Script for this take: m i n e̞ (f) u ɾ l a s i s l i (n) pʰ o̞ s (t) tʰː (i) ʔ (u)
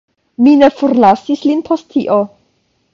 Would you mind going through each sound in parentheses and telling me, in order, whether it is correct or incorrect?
correct, correct, correct, correct, incorrect

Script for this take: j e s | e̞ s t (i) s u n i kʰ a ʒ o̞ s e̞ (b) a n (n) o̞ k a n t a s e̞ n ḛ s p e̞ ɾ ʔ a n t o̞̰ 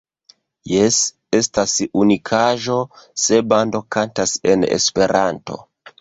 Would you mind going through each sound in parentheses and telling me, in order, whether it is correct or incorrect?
incorrect, correct, incorrect

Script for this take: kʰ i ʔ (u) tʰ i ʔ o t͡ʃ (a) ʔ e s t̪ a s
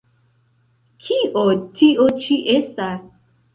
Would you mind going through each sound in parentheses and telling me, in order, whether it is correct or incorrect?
incorrect, incorrect

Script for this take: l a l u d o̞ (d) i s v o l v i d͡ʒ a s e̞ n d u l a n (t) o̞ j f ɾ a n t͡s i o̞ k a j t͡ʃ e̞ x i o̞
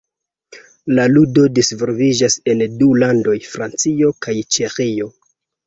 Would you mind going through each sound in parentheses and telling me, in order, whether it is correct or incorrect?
correct, incorrect

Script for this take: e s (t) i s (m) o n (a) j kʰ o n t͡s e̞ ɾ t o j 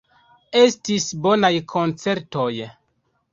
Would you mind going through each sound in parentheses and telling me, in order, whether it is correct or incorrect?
correct, incorrect, correct

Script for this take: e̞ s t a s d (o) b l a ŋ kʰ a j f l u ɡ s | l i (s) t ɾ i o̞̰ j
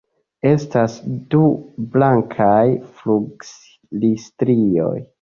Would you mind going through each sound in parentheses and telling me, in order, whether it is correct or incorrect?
incorrect, correct

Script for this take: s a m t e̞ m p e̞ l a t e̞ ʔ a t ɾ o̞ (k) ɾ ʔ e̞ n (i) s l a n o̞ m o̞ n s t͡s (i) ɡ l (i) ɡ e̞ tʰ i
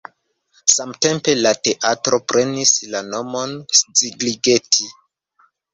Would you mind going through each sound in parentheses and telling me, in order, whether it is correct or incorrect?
incorrect, correct, correct, correct

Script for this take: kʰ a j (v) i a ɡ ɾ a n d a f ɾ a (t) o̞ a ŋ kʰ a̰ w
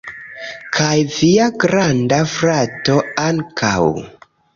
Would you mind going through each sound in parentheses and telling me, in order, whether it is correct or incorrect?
correct, correct

